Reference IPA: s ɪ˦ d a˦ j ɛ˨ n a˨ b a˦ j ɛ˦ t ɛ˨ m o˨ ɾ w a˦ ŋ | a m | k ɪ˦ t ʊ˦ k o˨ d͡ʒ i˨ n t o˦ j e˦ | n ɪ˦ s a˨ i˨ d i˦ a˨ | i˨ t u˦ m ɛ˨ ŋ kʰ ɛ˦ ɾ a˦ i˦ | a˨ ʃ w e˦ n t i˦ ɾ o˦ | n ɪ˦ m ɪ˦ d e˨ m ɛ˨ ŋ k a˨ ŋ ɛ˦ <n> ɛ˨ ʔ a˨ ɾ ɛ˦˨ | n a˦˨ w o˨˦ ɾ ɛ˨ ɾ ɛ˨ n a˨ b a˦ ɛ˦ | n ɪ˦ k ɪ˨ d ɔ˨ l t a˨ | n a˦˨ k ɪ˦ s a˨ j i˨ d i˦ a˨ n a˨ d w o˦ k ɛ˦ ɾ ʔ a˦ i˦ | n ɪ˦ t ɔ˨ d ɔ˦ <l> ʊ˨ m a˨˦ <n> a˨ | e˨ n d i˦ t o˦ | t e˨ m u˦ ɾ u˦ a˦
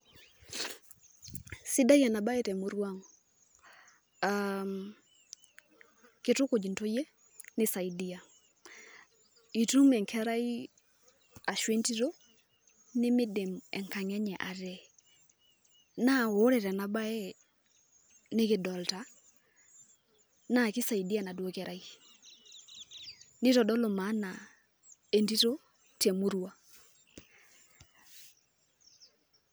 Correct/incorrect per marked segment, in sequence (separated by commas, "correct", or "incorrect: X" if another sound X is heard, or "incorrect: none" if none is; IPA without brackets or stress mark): incorrect: ɲ, correct, correct